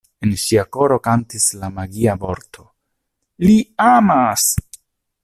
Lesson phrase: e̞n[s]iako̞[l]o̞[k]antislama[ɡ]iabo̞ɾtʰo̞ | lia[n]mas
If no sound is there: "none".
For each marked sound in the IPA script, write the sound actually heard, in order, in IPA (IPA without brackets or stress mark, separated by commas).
ʃ, ɾ, k, ɡ, none